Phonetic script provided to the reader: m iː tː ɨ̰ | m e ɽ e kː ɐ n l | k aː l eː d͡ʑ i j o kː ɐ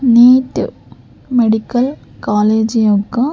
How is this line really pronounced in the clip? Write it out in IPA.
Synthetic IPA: n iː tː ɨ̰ | m e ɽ i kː ɐ l | k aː l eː d͡ʑ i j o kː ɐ